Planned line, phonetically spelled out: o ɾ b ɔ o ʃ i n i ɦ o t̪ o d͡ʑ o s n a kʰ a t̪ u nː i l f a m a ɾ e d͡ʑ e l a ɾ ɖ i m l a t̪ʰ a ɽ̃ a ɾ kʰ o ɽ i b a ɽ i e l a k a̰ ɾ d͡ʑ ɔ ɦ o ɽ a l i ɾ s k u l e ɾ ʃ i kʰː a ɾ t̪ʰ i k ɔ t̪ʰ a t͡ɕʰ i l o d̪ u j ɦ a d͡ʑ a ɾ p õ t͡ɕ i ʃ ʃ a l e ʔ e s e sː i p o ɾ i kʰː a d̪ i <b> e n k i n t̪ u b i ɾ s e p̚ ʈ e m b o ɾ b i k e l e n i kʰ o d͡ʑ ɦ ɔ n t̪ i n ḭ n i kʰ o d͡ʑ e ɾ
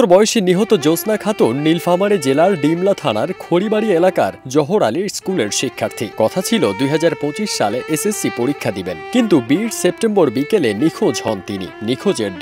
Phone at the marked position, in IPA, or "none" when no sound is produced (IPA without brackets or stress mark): b